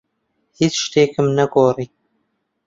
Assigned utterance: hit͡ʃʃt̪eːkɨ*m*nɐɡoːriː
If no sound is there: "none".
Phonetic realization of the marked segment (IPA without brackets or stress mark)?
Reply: m